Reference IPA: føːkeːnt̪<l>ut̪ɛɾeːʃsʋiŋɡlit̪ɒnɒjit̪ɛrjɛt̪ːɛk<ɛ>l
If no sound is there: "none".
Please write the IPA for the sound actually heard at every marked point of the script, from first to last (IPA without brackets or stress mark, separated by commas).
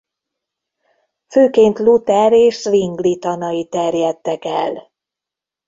l, ɛ